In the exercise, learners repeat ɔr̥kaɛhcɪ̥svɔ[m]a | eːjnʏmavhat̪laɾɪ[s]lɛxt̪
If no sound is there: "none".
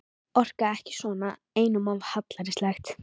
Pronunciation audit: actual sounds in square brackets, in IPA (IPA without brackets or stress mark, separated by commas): n, s